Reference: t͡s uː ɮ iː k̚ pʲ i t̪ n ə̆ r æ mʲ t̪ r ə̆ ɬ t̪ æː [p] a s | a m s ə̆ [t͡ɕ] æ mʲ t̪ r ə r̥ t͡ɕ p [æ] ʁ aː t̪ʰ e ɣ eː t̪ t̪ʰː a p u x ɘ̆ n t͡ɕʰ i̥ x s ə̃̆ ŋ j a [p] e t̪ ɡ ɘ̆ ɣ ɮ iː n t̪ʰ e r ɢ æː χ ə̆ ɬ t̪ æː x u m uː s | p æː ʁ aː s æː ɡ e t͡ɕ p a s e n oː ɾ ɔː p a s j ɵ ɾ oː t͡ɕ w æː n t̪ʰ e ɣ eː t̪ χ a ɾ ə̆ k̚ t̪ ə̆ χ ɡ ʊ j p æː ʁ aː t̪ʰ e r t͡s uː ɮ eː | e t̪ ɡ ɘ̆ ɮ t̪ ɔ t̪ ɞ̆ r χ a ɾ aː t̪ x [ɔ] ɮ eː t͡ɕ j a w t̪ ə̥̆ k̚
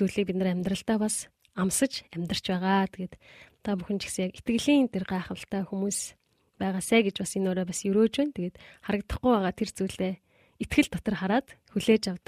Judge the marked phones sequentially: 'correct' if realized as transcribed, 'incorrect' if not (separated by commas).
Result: correct, correct, incorrect, incorrect, incorrect